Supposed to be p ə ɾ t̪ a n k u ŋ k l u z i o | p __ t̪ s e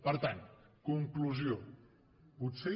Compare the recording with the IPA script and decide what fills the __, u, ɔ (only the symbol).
u